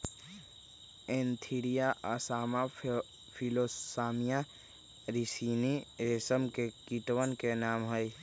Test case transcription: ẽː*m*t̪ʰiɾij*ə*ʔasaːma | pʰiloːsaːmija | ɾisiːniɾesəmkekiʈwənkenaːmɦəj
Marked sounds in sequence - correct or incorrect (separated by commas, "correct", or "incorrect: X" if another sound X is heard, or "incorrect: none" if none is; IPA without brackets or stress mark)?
incorrect: n, incorrect: a